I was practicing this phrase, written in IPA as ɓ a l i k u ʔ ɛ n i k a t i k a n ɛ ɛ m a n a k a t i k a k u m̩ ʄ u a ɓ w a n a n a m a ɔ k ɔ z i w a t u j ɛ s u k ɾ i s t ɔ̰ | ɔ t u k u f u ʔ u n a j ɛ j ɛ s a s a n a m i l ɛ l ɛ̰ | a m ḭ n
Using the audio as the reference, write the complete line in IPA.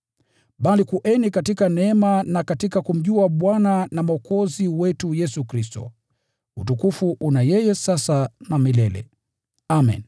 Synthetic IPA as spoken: ɓ a l i k u ʔ ɛ n i k a t i k a n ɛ ɛ m a n a k a t i k a k u m̩ ʄ u a ɓ w a n a n a m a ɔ k ɔ z i w ɛ t u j ɛ s u k ɾ i s t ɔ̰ | u t u k u f u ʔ u n a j ɛ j ɛ s a s a n a m i l ɛ l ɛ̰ | a m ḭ n